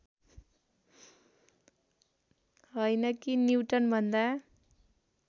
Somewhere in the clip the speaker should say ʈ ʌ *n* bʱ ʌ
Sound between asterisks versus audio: correct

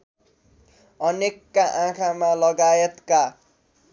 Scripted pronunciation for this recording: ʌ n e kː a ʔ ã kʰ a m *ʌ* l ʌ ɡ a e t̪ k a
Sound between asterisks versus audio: incorrect: a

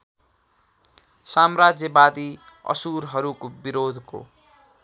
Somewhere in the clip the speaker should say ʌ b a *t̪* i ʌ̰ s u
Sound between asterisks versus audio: incorrect: d̪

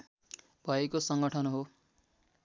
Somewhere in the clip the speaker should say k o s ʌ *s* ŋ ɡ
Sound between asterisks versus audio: incorrect: none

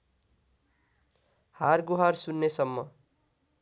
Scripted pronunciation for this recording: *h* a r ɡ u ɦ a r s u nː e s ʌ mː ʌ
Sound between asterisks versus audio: correct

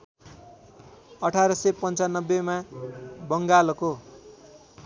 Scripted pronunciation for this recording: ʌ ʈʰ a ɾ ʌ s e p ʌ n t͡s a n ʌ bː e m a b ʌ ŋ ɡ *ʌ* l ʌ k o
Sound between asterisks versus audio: incorrect: a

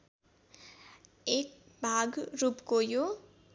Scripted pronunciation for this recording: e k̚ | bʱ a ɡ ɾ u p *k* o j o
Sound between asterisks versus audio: correct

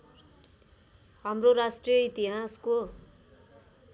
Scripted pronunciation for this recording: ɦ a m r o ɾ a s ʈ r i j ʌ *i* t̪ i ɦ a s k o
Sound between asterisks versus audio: correct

